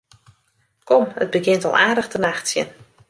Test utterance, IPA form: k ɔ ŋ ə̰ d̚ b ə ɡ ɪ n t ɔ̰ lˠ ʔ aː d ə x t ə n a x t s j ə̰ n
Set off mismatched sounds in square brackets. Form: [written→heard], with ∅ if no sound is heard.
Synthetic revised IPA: k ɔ [ŋ→m] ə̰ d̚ b ə ɡ ɪ n t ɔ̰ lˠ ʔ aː d ə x t ə n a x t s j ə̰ n